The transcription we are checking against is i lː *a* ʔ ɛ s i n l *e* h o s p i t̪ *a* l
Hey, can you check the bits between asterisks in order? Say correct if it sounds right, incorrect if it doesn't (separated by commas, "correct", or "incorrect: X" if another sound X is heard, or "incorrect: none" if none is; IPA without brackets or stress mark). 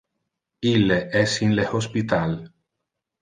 incorrect: e, correct, correct